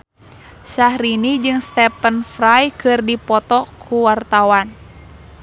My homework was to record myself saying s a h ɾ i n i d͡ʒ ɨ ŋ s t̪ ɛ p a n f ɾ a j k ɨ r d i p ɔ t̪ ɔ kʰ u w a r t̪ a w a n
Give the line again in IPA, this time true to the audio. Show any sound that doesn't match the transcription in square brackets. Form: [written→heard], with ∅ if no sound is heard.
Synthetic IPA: s a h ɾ i n i d͡ʒ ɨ ŋ s t̪ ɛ p [a→ə] n f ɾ a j k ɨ r d i p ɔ t̪ ɔ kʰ u w a r t̪ a w a n